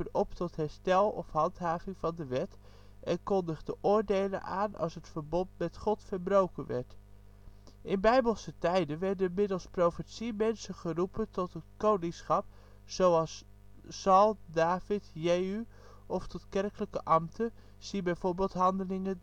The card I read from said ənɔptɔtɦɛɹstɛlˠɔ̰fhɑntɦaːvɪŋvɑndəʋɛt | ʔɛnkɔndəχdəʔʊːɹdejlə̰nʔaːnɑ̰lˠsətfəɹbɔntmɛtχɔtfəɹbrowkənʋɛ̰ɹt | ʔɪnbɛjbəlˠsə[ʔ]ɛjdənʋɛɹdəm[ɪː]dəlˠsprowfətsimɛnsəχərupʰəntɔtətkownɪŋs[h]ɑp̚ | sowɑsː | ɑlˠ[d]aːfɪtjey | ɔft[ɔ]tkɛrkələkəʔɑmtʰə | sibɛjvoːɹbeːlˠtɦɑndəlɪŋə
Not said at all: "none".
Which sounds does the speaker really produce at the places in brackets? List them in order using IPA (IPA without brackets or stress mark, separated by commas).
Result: t, ɪ, χ, d, ɔ